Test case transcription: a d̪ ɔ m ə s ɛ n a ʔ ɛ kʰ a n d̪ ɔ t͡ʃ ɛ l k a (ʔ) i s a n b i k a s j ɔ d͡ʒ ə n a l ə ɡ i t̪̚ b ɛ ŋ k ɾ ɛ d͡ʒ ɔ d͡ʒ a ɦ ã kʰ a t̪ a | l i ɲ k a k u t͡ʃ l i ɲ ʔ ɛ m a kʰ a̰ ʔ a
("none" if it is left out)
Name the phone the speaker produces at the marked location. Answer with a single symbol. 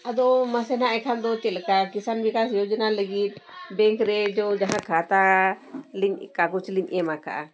k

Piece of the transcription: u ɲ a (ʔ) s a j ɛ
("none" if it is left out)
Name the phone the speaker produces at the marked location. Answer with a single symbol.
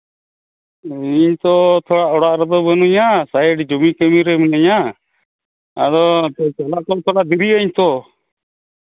none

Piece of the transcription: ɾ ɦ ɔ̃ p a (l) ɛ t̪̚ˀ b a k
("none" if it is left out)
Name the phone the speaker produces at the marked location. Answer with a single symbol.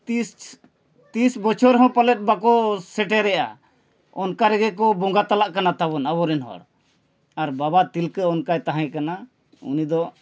l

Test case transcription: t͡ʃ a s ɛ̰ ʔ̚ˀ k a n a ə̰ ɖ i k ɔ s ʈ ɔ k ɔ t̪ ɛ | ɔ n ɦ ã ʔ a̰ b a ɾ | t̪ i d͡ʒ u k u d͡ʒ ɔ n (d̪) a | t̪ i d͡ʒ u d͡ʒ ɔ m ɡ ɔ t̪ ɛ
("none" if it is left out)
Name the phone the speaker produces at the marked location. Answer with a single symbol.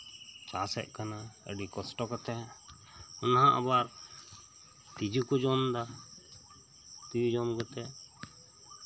d̪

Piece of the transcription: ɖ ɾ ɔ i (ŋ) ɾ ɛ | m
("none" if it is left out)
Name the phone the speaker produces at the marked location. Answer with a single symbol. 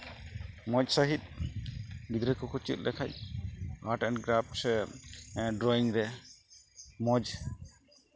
ŋ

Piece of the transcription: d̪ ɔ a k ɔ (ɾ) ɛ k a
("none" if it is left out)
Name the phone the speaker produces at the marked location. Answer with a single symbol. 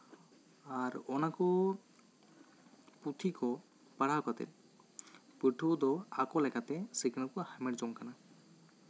l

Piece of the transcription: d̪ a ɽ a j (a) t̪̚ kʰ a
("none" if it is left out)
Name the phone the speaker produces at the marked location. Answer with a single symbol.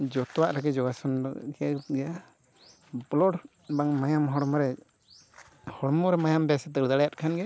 a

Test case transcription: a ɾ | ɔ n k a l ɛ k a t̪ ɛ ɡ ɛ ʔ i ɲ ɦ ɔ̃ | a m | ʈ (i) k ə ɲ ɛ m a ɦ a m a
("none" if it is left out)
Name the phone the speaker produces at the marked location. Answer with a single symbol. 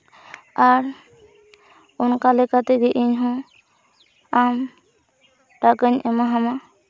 a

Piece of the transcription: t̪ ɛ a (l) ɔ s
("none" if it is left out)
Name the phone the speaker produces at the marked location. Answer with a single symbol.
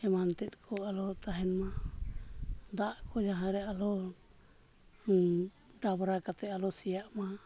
l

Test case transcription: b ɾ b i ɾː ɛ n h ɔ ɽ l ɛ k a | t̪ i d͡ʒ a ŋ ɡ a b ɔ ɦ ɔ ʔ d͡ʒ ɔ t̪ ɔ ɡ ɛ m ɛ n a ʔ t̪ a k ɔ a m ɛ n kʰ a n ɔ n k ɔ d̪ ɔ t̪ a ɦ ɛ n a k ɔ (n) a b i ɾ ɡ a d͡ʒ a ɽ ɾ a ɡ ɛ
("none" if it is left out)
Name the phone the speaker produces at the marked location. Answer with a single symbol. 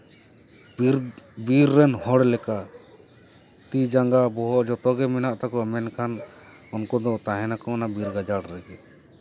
n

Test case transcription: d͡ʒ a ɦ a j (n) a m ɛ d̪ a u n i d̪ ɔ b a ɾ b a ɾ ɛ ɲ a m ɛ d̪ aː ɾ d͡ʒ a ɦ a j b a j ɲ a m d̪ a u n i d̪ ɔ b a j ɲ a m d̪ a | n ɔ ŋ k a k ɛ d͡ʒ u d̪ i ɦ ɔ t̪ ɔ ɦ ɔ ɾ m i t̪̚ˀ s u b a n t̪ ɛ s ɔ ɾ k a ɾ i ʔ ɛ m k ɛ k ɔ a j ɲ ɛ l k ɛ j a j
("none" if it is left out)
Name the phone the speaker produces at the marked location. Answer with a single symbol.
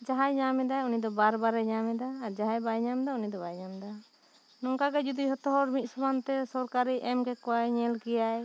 ɲ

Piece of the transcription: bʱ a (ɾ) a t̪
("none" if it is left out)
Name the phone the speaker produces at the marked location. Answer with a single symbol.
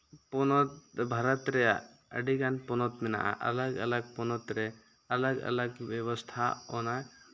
ɾ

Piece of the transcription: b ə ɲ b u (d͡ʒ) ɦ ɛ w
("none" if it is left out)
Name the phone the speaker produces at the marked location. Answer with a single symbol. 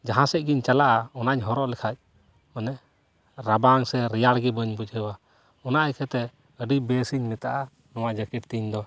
d͡ʒ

